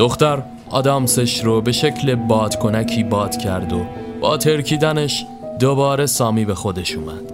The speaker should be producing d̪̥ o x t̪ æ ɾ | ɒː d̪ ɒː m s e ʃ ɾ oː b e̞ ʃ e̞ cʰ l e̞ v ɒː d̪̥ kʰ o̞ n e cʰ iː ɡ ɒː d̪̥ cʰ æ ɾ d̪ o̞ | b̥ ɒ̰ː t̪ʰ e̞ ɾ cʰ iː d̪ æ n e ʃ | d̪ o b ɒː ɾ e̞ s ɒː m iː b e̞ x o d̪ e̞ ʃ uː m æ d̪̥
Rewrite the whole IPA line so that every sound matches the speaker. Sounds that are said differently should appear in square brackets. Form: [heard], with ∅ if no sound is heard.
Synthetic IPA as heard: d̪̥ o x t̪ æ ɾ | ɒː d̪ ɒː m s e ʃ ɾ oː b e̞ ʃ e̞ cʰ l e̞ [b] ɒː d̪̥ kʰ o̞ n [æ] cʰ iː [b] ɒː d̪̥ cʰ æ ɾ d̪ o̞ | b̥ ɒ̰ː t̪ʰ e̞ ɾ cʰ iː d̪ æ n e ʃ | d̪ o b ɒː ɾ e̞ s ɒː m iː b e̞ x o d̪ e̞ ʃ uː m æ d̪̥